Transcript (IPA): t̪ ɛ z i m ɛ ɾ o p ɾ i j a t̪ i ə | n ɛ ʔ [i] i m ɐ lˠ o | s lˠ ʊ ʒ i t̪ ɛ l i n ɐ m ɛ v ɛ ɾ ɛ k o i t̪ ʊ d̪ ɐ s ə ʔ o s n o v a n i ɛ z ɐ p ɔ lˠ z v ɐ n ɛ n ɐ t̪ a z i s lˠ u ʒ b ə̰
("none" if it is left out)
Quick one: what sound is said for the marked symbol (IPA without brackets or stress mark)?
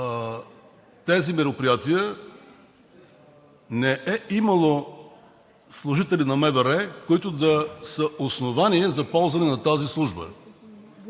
ɛ